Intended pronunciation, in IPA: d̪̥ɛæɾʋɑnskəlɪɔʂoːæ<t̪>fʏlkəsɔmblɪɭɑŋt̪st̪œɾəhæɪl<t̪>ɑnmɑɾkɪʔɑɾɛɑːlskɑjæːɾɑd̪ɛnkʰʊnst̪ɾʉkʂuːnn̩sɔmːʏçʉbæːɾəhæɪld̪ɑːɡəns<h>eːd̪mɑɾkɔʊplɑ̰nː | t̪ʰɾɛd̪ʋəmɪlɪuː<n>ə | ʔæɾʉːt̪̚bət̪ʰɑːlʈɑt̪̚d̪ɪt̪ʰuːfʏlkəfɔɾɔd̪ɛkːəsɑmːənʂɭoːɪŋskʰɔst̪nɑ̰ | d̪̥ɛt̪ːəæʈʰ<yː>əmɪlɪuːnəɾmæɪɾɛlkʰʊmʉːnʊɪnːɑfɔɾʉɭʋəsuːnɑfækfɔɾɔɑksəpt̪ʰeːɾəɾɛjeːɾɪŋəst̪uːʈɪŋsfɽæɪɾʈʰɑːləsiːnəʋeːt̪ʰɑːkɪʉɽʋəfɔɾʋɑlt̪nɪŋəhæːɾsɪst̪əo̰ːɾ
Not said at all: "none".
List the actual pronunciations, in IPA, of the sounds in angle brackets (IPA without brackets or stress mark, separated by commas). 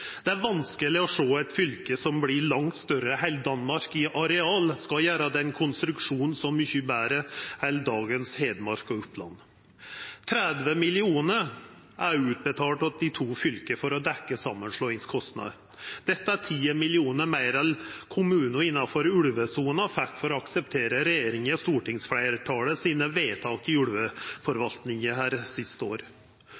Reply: t̪, d̪, h, n, iː